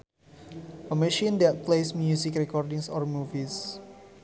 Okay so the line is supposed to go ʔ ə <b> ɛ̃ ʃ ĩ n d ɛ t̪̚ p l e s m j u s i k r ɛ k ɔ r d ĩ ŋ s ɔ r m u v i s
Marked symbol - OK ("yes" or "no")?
no